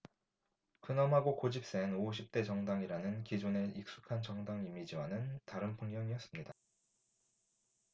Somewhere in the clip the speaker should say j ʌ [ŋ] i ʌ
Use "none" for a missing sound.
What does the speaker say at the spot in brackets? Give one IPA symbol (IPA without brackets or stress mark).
ŋ